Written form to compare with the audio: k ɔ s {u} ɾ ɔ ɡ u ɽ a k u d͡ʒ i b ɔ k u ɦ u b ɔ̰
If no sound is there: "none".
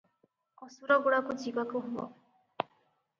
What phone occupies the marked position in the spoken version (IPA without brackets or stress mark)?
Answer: u